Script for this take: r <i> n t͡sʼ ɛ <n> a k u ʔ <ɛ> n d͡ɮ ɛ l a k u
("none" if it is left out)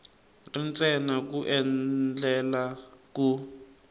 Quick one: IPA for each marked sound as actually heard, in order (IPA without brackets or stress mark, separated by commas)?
i, n, ɛ